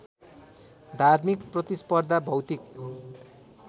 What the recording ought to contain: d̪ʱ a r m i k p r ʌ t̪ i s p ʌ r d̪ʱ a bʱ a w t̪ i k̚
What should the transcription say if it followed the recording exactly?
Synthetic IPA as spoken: d̪ʱ a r m i k p r ʌ t̪ i s p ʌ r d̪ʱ a bʱ ʌ w t̪ i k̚

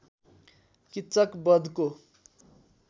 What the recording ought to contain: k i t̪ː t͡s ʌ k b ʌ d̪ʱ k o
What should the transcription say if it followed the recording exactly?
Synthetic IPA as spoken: k i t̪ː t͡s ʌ k b ʌ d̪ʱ k o

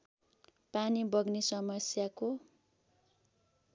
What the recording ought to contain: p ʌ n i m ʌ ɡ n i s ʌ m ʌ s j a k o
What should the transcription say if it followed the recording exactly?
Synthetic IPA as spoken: p a n i b ʌ ɡ n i s ʌ m ʌ s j a k o

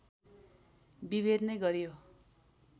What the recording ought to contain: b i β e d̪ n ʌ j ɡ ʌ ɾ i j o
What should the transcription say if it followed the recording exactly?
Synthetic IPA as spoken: b i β e d̪ n ʌ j ɡ ʌ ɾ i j o

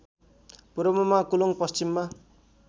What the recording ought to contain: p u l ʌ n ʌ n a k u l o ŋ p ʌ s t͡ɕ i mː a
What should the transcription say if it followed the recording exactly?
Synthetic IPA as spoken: p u ɾ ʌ m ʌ m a k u l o ŋ p ʌ s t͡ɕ i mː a

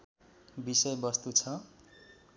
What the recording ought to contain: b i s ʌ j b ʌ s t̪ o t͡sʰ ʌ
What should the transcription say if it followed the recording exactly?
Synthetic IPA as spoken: b i s ʌ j b ʌ s t̪ u t͡sʰ ʌ

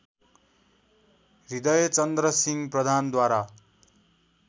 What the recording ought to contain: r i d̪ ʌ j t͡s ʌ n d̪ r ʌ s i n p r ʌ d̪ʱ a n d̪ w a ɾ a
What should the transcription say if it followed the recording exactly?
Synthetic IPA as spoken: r i d̪ ʌ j t͡s ʌ n d̪ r ʌ s i ŋ p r ʌ d̪ʱ a n d̪ w a ɾ a

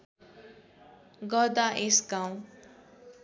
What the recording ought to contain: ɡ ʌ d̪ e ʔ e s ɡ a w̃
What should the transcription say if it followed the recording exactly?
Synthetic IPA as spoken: ɡ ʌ d̪ a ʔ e s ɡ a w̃

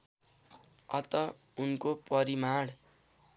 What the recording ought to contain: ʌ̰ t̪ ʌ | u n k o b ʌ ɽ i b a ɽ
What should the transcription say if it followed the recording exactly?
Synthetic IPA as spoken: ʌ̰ t̪ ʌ | u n k o p ʌ ɾ i m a ɽ

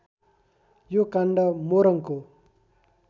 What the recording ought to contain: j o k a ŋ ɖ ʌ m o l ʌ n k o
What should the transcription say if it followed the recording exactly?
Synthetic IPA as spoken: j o k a ɳ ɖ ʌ m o ɾ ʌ ŋ k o

